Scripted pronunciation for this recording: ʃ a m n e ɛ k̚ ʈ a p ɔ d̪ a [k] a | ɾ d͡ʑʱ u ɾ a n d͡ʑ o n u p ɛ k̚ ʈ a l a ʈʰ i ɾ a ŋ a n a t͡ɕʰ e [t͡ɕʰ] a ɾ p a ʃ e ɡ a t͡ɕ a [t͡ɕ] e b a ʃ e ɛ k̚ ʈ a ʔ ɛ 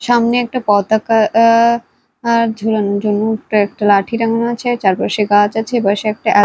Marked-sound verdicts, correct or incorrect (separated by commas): correct, incorrect, incorrect